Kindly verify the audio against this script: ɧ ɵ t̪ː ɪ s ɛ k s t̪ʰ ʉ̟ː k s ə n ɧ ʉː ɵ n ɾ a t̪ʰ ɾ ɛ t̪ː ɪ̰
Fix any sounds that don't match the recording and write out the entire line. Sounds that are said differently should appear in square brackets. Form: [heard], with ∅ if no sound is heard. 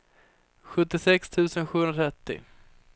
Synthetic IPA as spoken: ɧ ɵ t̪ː ɪ s ɛ k s t̪ʰ ʉ̟ː [∅] s ə n ɧ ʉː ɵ n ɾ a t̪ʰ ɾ ɛ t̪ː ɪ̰